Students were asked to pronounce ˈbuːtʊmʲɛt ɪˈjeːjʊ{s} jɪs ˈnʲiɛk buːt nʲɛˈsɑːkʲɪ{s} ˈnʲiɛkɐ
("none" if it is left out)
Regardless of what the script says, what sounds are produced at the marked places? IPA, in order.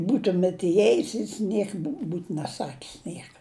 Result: s, s

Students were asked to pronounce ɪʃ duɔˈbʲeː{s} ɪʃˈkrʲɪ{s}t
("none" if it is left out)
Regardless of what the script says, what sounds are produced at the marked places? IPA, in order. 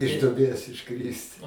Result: s, s

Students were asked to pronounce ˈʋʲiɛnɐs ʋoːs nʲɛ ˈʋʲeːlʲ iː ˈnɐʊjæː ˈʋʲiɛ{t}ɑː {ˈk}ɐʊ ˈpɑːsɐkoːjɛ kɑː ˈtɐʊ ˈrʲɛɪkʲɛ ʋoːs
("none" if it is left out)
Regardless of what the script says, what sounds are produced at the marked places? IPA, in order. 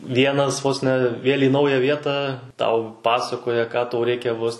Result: t, t

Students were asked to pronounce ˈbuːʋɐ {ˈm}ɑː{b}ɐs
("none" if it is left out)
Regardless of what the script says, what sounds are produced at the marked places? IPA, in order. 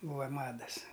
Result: m, d

